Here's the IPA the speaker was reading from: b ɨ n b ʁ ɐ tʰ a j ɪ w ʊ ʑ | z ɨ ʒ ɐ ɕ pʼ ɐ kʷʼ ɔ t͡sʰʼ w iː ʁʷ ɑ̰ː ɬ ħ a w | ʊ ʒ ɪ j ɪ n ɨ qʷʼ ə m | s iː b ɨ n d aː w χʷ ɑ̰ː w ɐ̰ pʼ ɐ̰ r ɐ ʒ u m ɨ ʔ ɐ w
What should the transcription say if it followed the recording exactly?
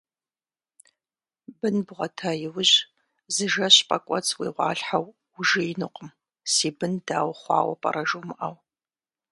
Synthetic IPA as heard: b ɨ n b ʁ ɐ tʰ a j ɪ w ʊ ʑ | z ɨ ʒ ɐ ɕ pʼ ɐ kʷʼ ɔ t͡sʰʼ w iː ʁʷ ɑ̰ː ɬ ħ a w | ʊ ʒ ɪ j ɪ n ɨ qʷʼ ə m | s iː b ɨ n d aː w χʷ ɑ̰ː w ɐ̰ pʼ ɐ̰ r ɐ ʒ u m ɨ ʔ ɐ w